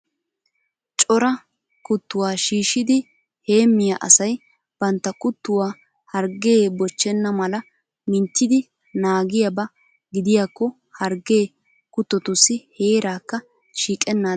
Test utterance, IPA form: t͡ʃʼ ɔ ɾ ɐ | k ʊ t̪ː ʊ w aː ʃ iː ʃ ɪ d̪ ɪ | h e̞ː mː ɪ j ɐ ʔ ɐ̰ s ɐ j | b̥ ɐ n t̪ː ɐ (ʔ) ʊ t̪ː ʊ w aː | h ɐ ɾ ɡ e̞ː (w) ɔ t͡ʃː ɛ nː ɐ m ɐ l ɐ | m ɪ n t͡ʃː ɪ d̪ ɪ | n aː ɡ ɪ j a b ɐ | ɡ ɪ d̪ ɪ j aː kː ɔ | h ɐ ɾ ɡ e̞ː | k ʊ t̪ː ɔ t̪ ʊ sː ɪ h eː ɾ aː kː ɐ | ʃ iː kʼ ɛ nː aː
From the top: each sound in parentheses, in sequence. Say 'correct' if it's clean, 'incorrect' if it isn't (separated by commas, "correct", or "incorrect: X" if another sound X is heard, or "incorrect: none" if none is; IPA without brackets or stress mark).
incorrect: k, incorrect: b